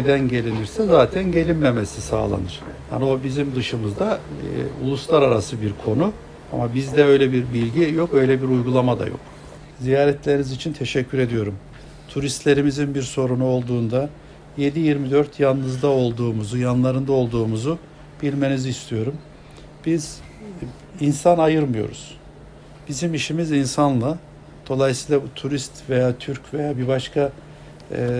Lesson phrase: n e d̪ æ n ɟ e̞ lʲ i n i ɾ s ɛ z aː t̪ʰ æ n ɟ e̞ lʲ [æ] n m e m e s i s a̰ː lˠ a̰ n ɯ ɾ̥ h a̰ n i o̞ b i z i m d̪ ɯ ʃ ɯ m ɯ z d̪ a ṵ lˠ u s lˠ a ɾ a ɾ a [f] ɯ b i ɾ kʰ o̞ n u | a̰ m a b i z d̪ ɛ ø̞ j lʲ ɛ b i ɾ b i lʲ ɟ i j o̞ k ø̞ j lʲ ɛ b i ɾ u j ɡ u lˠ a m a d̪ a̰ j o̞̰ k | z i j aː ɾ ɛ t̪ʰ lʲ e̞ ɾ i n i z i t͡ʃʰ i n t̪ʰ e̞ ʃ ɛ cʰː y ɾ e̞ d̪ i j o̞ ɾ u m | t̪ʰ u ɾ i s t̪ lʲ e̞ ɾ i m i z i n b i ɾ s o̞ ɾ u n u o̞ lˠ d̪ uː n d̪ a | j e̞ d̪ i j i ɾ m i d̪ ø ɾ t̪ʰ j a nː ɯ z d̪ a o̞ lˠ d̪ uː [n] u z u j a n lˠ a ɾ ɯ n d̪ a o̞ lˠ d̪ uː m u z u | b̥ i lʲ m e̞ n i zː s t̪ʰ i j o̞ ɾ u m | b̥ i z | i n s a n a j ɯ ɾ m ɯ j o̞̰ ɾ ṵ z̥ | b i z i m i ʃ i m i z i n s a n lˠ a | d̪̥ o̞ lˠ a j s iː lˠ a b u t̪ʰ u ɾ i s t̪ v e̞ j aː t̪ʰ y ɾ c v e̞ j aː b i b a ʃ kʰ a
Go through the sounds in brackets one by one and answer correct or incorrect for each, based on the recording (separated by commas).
incorrect, incorrect, incorrect